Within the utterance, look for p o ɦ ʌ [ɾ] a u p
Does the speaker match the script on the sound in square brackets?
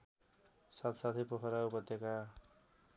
yes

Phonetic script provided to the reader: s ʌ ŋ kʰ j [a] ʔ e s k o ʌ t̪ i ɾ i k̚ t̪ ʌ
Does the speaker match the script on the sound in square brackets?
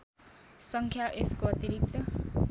yes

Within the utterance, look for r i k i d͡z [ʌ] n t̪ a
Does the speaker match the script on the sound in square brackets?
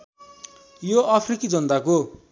yes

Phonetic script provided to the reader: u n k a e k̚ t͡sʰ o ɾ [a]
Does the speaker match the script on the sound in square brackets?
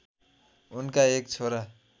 yes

